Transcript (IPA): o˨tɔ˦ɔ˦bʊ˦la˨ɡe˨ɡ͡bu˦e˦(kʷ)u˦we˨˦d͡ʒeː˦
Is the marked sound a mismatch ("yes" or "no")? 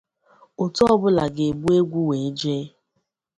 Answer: yes